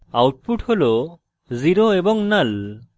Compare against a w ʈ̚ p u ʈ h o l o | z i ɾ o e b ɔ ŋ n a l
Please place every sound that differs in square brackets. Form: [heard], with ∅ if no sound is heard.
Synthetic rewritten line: a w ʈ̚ p u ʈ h o l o | z i ɾ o e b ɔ ŋ n a l